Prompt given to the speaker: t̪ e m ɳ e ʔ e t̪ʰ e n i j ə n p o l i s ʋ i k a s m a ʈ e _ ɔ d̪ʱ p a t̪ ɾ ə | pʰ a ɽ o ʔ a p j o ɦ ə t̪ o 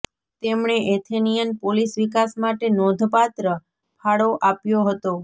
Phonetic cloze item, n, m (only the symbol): n